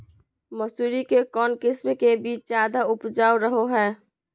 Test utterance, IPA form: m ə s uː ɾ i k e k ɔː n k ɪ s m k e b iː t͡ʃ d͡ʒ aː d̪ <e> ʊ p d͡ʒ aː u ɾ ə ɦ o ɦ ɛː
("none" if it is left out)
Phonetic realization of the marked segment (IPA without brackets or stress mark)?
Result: a